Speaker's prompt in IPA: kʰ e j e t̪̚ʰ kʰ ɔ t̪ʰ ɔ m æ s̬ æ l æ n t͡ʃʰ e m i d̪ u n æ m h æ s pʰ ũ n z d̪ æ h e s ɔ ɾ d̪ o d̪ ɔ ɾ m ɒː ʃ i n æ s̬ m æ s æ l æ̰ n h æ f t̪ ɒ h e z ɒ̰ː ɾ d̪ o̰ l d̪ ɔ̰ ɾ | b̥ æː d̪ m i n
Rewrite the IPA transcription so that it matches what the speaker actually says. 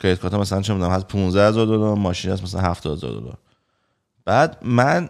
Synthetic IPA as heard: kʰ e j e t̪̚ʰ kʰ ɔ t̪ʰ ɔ m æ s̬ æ l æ n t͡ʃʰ e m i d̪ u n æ m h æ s pʰ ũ n z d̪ æ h e z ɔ ɾ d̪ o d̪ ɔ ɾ m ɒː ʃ i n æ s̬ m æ s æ l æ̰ n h æ f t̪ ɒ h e z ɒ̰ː ɾ d̪ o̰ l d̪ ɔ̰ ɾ | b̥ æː d̪ m æ n